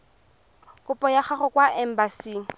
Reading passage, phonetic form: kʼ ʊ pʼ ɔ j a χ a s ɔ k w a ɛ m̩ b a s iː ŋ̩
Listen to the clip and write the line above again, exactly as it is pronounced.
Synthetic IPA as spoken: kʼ ʊ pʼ ɔ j a χ a χ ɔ k w a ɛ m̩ b a s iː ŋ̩